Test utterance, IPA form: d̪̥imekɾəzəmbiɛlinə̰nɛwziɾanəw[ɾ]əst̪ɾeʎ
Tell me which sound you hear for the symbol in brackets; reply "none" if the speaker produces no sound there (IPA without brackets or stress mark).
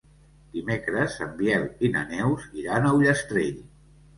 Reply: ʎ